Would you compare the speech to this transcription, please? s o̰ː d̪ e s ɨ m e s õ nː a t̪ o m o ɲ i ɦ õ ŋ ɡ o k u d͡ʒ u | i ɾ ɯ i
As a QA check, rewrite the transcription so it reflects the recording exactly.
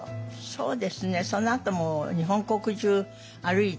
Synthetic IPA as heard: s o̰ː d̪ e s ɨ n e s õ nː a t̪ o m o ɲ i ɦ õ ŋ k o k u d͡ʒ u | a ɾ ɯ i